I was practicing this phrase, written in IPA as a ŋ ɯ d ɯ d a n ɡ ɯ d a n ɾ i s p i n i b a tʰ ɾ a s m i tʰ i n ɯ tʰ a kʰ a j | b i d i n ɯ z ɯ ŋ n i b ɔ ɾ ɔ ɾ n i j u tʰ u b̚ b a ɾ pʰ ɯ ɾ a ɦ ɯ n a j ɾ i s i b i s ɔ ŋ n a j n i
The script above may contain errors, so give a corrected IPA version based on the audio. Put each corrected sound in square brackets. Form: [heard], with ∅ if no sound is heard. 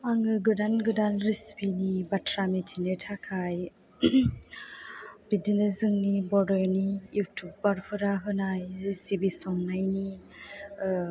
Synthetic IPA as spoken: a ŋ ɯ [ɡ] ɯ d a n ɡ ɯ d a n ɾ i s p i n i b a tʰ ɾ a [∅] m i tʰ i n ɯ tʰ a kʰ a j | b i d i n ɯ z ɯ ŋ n i b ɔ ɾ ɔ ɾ n i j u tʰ u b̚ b a ɾ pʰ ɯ ɾ a ɦ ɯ n a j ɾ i s i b i s ɔ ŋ n a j n i